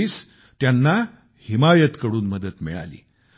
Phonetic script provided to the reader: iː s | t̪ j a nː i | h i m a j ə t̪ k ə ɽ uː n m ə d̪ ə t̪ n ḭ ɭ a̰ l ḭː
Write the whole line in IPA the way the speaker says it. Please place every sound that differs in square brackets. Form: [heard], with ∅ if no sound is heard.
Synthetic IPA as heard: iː s | t̪ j a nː [a] | h i m a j ə t̪ k ə ɽ uː n m ə d̪ ə t̪ [m] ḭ ɭ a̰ l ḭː